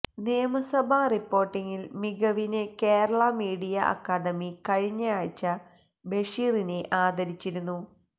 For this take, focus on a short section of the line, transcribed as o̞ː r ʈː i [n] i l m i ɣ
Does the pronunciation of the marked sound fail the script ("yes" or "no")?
yes